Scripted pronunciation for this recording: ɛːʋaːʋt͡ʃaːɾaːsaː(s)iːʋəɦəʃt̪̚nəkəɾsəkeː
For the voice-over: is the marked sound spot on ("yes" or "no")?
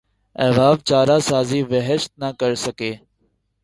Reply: no